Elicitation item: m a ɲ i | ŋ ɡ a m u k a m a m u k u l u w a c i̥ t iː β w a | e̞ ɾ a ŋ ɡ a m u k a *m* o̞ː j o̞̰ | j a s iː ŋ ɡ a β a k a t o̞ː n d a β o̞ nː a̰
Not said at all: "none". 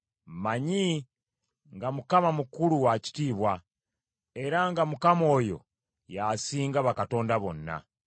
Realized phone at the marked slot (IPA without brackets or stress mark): m